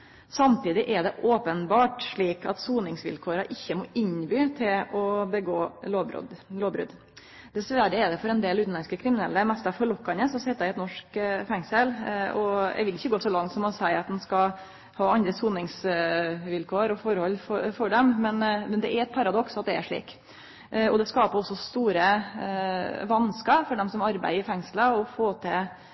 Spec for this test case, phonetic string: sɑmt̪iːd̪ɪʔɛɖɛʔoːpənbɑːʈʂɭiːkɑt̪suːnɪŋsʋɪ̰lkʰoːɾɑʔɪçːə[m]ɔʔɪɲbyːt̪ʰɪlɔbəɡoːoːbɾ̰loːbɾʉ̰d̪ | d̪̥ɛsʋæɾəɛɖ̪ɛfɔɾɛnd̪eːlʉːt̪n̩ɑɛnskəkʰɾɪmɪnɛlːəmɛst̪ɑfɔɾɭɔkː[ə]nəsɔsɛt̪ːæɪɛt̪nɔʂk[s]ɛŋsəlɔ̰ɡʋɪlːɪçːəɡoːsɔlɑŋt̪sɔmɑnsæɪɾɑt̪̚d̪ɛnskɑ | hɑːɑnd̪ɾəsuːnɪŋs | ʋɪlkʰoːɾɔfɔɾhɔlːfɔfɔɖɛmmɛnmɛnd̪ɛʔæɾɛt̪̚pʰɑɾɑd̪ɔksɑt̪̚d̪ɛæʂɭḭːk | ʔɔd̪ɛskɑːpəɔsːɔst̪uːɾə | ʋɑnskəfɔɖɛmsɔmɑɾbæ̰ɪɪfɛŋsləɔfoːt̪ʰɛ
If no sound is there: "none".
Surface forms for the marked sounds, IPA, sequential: m, ɑ, f

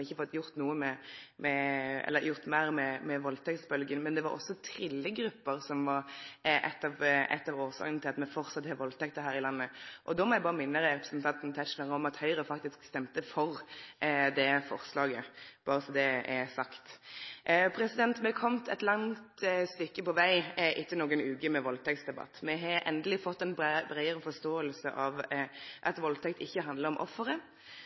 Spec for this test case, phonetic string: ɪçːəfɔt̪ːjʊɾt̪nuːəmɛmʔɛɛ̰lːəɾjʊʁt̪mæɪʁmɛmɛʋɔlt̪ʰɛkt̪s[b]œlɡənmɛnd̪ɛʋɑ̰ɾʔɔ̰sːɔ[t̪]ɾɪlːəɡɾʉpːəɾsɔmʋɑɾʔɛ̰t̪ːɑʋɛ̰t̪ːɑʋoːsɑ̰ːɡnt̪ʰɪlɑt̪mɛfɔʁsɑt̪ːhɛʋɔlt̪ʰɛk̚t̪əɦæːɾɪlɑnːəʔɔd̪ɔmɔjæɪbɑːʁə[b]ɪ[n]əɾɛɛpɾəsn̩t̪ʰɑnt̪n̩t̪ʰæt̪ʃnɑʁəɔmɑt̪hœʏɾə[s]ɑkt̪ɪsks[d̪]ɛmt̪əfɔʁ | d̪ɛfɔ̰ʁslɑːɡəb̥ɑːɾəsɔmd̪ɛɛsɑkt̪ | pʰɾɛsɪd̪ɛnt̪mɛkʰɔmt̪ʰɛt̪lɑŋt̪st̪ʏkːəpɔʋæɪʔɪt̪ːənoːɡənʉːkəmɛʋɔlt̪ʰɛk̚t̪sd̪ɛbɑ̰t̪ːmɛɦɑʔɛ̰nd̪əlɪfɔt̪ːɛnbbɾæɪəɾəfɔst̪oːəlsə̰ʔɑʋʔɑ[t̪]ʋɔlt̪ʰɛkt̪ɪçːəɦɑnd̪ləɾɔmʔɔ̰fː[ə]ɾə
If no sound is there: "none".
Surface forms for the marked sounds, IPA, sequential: b, t̪ʰ, m, nː, f, t̪, t̪, ə

